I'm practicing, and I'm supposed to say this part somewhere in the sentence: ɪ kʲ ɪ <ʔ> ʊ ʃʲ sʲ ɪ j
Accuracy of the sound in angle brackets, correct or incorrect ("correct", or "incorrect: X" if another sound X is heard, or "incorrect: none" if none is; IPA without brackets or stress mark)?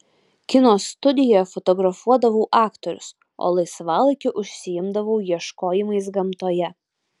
correct